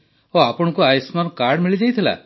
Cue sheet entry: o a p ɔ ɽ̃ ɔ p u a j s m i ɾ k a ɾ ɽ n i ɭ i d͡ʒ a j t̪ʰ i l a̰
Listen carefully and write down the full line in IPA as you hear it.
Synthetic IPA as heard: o a p ɔ ɽ̃ ɔ k u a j s m a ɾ k a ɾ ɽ m i ɭ i d͡ʒ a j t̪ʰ i l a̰